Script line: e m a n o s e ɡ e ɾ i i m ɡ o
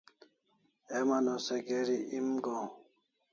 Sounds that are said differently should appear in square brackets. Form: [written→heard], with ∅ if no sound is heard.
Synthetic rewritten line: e m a n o s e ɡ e ɾ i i m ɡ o

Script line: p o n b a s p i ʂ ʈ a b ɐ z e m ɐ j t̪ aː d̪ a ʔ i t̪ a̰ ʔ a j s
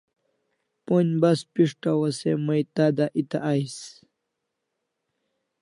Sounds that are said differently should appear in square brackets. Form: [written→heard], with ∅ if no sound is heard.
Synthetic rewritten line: p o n b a s p i ʂ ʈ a [b→w] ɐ [z→s] e m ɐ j t̪ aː d̪ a ʔ i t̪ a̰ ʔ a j s

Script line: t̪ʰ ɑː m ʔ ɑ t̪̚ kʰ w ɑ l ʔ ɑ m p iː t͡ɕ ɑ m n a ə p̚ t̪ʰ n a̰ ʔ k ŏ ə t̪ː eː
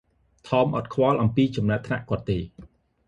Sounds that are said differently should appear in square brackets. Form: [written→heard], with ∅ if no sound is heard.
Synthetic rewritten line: t̪ʰ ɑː m ʔ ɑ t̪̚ kʰ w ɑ l ʔ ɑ m p iː t͡ɕ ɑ m n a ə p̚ t̪ʰ n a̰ ʔ k ŏ ə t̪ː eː

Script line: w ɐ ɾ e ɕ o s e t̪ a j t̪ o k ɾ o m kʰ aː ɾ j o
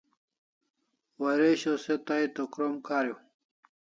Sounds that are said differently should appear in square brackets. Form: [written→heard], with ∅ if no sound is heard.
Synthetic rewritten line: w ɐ ɾ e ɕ o s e t̪ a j t̪ o k ɾ o m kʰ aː ɾ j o

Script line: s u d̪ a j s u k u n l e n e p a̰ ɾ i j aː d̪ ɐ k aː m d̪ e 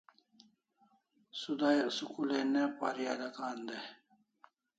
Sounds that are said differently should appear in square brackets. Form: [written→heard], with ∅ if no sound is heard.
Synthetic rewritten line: s u d̪ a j s u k u [n→∅] l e n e p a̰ ɾ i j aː d̪ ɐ k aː [m→n] d̪ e

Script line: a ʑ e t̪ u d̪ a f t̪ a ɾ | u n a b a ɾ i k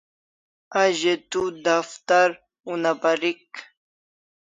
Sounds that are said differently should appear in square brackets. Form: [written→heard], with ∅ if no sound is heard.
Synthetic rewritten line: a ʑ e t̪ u d̪ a f t̪ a ɾ | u n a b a ɾ i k

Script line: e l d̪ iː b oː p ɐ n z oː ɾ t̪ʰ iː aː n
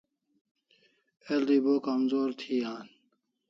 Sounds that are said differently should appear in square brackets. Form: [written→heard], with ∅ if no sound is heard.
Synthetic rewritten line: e l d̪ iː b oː [p→k] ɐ [n→m] z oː ɾ t̪ʰ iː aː n

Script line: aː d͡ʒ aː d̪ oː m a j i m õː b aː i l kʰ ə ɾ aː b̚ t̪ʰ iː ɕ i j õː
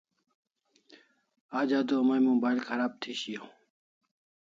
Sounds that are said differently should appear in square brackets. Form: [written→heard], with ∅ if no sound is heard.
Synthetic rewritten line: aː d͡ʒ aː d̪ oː m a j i m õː b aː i l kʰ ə ɾ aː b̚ t̪ʰ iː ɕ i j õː

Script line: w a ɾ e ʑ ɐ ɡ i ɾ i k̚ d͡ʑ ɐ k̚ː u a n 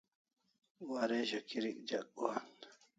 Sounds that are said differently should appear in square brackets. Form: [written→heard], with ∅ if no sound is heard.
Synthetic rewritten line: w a ɾ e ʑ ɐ [ɡ→k] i ɾ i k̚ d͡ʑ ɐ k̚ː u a n

